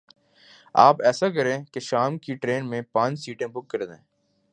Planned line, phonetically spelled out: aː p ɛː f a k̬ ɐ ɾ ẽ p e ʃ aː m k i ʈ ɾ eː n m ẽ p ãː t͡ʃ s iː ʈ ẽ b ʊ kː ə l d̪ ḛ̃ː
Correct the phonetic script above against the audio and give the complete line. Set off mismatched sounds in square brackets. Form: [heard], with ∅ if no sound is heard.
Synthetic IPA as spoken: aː p ɛː [s] a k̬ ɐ ɾ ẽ [k] e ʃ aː m k i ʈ ɾ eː n m ẽ p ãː t͡ʃ s iː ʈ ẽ b ʊ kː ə [ɾ] d̪ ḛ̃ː